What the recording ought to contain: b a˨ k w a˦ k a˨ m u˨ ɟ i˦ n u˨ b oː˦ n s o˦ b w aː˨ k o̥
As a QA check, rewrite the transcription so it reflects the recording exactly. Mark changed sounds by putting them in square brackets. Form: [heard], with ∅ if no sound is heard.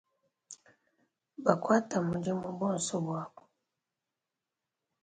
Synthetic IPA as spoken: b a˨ k w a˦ [t] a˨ m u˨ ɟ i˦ [m] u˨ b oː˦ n s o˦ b w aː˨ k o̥